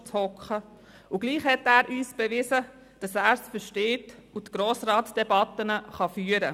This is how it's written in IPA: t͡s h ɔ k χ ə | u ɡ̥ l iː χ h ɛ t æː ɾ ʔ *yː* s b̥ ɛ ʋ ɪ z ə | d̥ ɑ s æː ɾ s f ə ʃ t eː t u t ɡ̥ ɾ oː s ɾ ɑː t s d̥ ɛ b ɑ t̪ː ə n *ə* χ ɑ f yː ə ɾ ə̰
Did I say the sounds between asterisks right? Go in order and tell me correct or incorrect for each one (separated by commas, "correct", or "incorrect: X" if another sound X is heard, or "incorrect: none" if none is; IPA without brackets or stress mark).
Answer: correct, correct